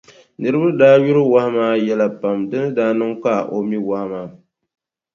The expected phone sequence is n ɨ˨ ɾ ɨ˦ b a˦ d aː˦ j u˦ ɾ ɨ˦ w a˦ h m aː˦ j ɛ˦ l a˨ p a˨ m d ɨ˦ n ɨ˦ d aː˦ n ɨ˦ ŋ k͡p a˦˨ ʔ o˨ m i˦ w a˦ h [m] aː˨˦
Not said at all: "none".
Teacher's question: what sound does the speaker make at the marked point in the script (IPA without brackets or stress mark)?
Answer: m